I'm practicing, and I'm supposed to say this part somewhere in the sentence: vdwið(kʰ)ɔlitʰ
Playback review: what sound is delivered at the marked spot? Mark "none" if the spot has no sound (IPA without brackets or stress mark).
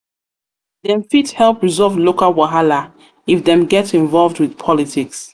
pʰ